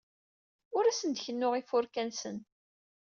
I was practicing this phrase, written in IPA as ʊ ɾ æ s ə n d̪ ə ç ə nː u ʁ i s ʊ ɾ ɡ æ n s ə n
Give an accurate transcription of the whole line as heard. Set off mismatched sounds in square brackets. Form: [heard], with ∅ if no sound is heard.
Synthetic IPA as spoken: ʊ ɾ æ s ə n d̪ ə ç ə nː [ʊ] ʁ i [f] ʊ ɾ [k] æ n s ə n

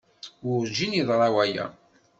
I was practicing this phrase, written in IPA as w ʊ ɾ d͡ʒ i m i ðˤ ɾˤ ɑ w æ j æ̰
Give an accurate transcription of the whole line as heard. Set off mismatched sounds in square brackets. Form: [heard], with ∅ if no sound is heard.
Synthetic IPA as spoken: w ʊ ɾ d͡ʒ i [n] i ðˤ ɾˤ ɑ w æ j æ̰

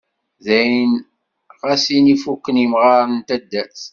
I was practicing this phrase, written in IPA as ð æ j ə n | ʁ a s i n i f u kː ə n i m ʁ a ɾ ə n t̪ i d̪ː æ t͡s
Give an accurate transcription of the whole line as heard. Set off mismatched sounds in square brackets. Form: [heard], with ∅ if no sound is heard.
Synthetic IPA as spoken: ð æ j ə n | ʁ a s i n i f u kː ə n i m ʁ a ɾ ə n t̪ [æ] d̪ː æ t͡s

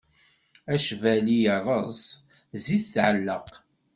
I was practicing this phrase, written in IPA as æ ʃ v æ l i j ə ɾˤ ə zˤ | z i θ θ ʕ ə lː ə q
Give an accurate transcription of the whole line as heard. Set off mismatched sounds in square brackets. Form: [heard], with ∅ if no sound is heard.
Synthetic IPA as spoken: æ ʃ v æ l i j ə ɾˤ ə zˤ | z i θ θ ʕ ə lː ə q

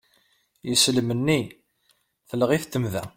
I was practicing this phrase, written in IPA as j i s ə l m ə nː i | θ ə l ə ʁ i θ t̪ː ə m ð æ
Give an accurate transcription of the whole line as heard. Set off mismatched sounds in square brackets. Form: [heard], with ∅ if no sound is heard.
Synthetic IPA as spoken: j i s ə l m ə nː i | θ ə l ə ʁ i θ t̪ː ə m ð æ

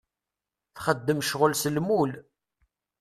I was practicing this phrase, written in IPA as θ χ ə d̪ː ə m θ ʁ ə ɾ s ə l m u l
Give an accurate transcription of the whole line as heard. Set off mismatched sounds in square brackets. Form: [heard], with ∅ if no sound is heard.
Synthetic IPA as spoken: θ χ ə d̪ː ə m [ʃ] ʁ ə [l] s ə l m u l

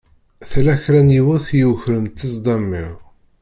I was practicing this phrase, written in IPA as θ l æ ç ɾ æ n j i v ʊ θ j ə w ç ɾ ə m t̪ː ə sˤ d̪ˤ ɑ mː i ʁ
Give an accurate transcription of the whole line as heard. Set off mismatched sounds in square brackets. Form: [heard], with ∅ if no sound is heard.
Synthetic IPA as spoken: θ l æ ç ɾ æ n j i [w] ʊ θ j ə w ç ɾ ə m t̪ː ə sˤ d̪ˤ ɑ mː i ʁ

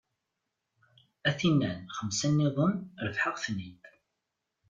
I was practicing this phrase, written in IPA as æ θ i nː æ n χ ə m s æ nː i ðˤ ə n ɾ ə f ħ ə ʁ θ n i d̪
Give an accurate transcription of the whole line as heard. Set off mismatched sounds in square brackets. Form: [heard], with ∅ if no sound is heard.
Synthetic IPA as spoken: æ θ i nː æ n χ ə m s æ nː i ðˤ ə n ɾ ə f ħ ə ʁ θ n i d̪

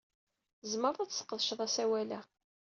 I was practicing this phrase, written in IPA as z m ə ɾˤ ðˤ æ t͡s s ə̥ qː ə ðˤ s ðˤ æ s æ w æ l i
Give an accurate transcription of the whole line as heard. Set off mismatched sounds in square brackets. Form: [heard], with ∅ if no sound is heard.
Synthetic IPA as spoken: z m ə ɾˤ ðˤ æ t͡s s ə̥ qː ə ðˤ [ʃ] ðˤ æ s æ w æ l [æ]

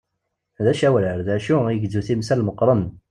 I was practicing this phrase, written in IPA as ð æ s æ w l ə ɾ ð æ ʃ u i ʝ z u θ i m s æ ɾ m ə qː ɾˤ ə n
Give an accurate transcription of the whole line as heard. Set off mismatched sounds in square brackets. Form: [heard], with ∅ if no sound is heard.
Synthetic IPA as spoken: ð æ [ʃ] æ w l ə ɾ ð æ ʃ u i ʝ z u θ i m s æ [l] m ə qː ɾˤ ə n

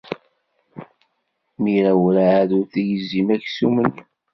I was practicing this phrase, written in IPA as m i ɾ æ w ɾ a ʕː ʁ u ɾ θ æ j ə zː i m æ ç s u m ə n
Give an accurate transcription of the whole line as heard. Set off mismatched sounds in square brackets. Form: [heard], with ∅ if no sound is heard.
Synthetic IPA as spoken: m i ɾ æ w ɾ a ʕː [ð] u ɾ θ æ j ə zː i m æ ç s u m ə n

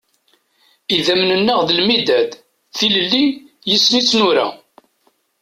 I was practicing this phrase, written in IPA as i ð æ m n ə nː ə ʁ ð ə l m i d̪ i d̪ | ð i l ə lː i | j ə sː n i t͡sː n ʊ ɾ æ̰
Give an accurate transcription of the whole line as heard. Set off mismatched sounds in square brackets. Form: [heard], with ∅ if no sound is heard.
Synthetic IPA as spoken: i ð æ m n ə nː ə ʁ ð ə l m i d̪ [æ] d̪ | [θ] i l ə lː i | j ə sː n i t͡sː n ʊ ɾ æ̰

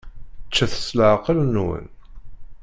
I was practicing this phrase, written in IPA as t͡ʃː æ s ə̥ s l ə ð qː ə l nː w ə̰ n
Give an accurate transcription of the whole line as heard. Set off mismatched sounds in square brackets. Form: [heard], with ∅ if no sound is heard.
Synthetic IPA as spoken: t͡ʃː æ [θ] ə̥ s l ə [ʕ] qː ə l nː w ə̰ n

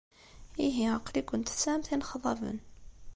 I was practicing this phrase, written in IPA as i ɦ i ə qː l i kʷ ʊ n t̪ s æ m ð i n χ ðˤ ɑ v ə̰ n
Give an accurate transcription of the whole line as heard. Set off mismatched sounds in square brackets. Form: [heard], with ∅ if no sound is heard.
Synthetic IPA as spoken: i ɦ i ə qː l i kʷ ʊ n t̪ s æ m [θ] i n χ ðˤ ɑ v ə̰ n

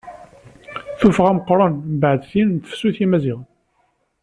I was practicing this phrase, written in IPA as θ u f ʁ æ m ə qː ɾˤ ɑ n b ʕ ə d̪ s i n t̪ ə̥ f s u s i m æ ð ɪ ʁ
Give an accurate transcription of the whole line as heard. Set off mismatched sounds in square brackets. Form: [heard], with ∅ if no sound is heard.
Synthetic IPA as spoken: θ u f ʁ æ m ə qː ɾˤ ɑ n b ʕ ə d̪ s i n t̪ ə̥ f s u [θ] i m æ [z] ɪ ʁ

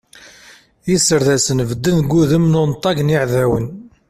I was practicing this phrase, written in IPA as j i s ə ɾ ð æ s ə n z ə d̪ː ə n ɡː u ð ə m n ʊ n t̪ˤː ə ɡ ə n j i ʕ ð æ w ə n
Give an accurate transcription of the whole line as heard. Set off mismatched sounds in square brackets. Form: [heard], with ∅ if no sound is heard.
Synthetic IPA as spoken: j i s ə ɾ ð æ s ə n [v] ə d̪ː ə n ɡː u ð ə m n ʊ n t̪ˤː [ɑ] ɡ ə n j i ʕ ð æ w ə n

